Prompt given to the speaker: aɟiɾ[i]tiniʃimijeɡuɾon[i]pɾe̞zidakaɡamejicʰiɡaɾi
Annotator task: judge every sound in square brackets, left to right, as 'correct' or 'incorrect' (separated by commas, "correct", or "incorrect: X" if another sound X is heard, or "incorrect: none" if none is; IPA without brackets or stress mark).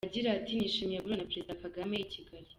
incorrect: a, incorrect: a